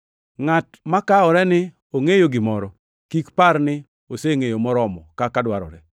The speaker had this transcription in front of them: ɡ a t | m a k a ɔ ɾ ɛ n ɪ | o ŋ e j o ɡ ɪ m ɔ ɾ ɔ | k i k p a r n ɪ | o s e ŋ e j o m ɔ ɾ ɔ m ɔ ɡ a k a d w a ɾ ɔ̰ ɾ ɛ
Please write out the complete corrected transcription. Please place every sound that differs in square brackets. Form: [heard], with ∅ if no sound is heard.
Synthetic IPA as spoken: [ŋ] a t | m a k a ɔ ɾ ɛ n ɪ | o ŋ e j o ɡ ɪ m ɔ ɾ ɔ | k i k p a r n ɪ | o s e ŋ e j o m ɔ ɾ ɔ m ɔ [k] a k a d w a ɾ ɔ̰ ɾ ɛ